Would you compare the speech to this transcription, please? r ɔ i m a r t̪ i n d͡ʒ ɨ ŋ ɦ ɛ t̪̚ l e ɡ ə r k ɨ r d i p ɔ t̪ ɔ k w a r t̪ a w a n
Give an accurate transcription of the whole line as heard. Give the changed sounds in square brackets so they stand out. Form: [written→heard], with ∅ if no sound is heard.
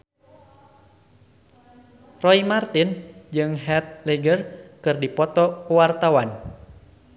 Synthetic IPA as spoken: r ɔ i m a r t̪ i n d͡ʒ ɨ ŋ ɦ ɛ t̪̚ l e ɡ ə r k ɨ r d i p ɔ t̪ ɔ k w a r t̪ a w a n

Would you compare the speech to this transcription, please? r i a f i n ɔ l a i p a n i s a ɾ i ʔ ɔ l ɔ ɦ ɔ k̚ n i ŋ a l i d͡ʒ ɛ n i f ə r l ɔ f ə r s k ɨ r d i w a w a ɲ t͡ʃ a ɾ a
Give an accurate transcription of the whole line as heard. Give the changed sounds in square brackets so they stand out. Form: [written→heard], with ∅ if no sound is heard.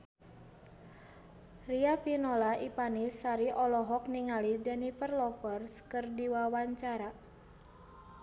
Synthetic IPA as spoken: r i a f i n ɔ l a i p a n i s a ɾ i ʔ ɔ l ɔ ɦ ɔ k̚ n i ŋ a l i d͡ʒ ɛ n i f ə r l ɔ f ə r s k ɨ r d i w a w a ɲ t͡ʃ a ɾ a

